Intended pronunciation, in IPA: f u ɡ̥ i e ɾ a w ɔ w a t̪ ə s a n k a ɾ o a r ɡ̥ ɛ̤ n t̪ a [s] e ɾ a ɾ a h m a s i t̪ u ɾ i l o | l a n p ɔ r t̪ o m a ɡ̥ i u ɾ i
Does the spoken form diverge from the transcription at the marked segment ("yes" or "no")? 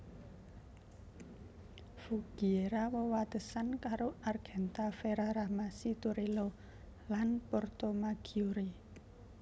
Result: yes